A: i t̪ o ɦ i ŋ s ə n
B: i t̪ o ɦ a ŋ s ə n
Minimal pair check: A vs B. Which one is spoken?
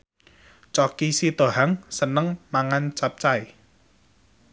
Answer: B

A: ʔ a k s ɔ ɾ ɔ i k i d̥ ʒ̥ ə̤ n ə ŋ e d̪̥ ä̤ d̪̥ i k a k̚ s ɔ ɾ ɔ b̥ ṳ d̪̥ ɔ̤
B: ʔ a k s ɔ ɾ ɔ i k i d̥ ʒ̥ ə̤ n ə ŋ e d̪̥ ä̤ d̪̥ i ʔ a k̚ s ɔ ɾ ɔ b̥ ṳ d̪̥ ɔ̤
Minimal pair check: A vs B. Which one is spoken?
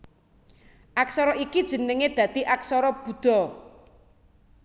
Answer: B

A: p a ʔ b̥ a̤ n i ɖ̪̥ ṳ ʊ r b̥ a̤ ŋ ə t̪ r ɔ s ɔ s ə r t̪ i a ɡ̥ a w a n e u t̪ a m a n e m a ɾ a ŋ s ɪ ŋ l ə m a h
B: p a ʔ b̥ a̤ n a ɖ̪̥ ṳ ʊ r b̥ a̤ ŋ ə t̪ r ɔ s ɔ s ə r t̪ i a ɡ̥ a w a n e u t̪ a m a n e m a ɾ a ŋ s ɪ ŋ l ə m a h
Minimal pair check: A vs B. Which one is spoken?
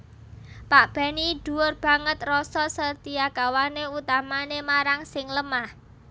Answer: A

